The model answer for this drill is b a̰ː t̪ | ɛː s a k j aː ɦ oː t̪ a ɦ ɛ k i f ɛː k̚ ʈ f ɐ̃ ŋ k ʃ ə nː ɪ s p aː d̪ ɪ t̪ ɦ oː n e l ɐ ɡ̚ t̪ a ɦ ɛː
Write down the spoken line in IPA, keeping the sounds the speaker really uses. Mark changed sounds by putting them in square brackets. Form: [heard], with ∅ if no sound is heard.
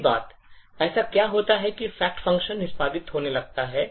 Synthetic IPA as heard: b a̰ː t̪ | ɛː s a k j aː ɦ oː t̪ a ɦ ɛ k i f ɛː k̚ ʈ f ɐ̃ ŋ k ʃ ə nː ɪ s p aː d̪ ɪ t̪ ɦ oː n e l ɐ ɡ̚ t̪ a ɦ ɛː